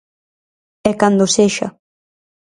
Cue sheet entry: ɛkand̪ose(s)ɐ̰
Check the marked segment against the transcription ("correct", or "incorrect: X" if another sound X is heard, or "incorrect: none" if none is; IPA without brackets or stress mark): incorrect: ʃ